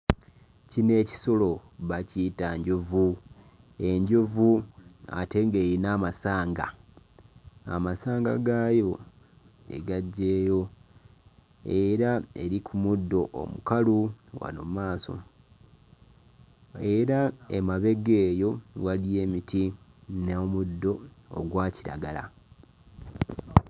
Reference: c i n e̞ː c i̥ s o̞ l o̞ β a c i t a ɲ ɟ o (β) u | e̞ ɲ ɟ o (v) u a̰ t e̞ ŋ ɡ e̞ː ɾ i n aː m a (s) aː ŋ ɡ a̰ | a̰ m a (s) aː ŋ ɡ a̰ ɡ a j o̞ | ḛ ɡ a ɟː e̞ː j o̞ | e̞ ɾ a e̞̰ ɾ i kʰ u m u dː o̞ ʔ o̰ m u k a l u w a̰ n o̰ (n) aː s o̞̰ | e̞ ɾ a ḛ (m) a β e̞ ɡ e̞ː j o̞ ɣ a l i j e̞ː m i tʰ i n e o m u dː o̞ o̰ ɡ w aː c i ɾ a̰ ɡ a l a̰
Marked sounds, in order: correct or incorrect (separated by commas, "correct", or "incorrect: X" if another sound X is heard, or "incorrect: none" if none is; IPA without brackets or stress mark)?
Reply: incorrect: v, correct, correct, correct, incorrect: m, correct